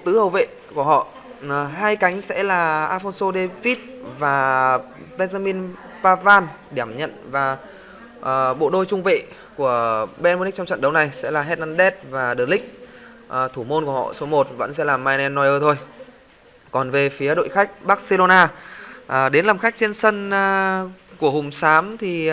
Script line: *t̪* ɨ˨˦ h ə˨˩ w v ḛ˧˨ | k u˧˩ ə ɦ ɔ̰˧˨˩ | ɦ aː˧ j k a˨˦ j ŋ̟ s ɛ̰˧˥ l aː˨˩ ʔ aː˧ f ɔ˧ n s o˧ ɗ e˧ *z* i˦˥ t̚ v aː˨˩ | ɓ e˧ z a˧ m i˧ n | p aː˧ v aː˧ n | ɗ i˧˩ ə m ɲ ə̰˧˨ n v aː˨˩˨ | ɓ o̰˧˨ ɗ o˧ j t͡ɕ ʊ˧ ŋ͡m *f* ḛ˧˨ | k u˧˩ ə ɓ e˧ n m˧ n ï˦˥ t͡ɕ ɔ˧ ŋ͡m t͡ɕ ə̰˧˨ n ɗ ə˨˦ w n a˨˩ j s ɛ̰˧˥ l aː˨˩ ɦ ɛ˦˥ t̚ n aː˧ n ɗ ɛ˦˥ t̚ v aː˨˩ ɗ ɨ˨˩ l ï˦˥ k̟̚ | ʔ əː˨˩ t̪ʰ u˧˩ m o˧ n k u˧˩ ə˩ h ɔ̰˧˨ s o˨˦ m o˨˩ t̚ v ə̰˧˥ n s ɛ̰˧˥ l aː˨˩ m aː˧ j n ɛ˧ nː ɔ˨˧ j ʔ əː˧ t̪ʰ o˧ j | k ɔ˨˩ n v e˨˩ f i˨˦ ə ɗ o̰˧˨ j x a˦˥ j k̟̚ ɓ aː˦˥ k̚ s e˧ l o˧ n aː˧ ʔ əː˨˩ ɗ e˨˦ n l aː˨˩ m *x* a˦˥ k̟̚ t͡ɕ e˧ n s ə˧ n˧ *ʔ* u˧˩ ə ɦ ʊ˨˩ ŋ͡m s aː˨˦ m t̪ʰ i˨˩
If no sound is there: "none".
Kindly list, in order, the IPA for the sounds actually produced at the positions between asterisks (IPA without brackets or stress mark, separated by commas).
t̪, v, v, x, k